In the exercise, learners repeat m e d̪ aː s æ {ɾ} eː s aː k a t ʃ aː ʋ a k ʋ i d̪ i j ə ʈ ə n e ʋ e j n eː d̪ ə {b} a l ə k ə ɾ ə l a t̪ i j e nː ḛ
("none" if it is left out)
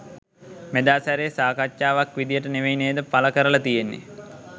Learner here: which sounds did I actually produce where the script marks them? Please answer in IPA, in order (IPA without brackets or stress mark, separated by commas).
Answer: ɾ, p